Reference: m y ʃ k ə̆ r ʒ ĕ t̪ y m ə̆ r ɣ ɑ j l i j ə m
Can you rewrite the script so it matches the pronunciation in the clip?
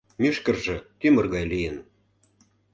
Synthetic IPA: m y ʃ k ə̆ r ʒ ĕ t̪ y m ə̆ r ɣ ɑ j l i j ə n